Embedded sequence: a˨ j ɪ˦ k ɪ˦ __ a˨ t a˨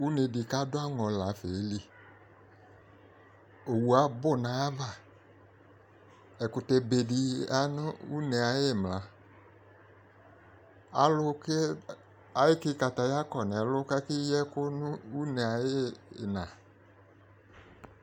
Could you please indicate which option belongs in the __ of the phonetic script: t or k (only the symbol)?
k